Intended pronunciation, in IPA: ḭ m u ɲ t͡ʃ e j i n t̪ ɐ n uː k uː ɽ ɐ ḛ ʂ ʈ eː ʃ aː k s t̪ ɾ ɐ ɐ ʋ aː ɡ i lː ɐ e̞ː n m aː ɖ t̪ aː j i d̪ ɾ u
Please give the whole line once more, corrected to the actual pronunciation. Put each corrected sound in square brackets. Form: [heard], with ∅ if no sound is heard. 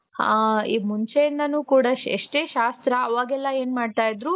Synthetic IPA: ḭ m u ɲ t͡ʃ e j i n [d̪] ɐ n uː k uː ɽ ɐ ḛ ʂ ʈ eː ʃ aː [∅] s t̪ ɾ ɐ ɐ ʋ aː ɡ [ɛ] lː ɐ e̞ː n m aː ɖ t̪ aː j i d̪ ɾ u

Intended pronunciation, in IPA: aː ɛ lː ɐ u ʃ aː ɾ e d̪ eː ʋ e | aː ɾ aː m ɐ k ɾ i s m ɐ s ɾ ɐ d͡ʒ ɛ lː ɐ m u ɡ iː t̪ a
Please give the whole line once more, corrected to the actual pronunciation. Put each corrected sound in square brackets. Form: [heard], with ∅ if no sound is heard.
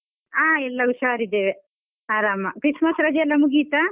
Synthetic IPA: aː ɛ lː ɐ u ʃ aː ɾ [i] d̪ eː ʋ e | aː ɾ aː m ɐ k ɾ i s m ɐ s ɾ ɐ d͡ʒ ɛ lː ɐ m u ɡ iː t̪ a

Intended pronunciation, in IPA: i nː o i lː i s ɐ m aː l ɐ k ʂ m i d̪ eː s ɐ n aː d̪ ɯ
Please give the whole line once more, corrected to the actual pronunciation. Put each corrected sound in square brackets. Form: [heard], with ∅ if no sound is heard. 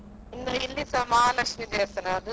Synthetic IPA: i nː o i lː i s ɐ m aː l ɐ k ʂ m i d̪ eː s ɐ n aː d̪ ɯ

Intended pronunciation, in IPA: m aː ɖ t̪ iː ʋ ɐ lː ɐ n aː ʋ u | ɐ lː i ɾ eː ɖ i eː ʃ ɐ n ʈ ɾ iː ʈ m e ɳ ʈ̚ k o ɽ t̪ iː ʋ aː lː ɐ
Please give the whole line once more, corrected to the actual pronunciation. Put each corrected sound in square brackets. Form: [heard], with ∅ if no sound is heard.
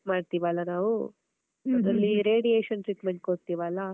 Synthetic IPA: m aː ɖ t̪ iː ʋ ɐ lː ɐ n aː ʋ u | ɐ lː i ɾ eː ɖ i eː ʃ ɐ n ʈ ɾ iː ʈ m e ɳ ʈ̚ k o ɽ t̪ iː ʋ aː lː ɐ

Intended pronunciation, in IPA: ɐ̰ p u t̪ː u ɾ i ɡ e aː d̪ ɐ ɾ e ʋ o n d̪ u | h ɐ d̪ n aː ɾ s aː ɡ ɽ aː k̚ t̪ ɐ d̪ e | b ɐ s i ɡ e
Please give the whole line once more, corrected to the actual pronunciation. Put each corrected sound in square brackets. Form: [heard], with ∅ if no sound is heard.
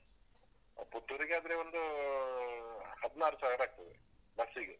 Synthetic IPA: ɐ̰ p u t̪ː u ɾ i ɡ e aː d̪ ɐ ɾ e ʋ o n d̪ u | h ɐ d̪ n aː ɾ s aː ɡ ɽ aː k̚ t̪ ɐ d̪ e | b ɐ s i ɡ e

